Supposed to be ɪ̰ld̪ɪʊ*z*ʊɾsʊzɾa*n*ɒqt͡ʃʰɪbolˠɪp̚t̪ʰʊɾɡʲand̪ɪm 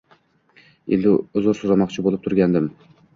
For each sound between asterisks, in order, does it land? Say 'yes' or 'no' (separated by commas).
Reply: yes, no